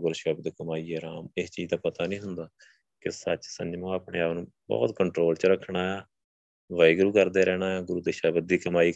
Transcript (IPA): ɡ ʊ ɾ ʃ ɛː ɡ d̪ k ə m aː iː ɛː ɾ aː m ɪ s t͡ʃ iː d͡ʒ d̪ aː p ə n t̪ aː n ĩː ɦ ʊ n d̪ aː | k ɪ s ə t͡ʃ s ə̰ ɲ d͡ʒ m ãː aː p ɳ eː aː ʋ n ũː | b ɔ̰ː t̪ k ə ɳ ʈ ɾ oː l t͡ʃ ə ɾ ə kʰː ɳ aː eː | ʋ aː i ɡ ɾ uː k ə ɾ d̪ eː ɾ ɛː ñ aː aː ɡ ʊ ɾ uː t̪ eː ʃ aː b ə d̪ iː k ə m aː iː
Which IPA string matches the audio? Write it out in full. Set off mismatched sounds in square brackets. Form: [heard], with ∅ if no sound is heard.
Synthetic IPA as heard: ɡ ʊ ɾ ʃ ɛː [b] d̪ k ə m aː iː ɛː ɾ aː m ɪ s t͡ʃ iː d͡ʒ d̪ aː p ə [∅] t̪ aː n ĩː ɦ ʊ n d̪ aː | k ɪ s ə t͡ʃ s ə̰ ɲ d͡ʒ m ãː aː p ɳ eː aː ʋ n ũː | b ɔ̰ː t̪ k ə ɳ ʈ ɾ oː l t͡ʃ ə ɾ ə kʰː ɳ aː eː | ʋ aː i ɡ ɾ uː k ə ɾ d̪ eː ɾ ɛː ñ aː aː ɡ ʊ ɾ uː [d̪] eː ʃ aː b ə d̪ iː k ə m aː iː